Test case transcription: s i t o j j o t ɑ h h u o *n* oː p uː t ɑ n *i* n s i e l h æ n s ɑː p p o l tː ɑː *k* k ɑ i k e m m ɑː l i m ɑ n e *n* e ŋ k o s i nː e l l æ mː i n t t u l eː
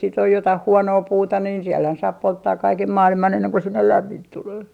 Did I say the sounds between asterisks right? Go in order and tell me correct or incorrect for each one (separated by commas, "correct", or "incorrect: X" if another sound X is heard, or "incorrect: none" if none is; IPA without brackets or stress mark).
correct, incorrect: iː, correct, incorrect: nː